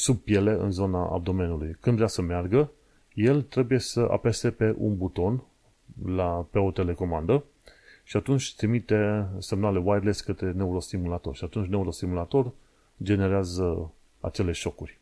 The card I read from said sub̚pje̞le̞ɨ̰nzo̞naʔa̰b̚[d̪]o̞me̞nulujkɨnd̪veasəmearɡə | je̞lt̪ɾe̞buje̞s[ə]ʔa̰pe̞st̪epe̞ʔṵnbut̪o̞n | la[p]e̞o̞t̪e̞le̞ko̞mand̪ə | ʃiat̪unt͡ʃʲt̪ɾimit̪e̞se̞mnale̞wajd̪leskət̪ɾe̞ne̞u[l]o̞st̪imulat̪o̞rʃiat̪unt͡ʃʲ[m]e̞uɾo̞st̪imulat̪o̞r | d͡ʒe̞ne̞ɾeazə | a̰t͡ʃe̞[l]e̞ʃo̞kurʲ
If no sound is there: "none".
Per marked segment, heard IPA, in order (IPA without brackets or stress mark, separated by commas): d̪, ə, p, ɾ, n, l